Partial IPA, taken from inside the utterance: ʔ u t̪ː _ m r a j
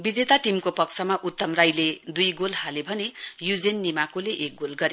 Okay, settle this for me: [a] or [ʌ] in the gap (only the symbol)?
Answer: ʌ